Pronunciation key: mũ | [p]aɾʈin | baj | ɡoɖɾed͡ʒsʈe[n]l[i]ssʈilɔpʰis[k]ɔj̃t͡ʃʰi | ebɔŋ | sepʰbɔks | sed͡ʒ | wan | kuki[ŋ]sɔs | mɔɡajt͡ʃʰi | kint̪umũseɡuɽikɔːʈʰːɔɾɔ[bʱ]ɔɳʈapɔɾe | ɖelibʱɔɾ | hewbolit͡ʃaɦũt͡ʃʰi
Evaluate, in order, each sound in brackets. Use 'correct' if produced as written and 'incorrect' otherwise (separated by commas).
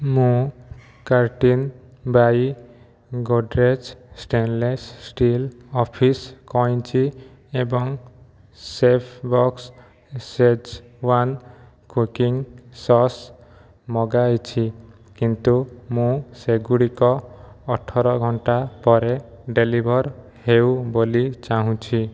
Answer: incorrect, correct, incorrect, correct, correct, incorrect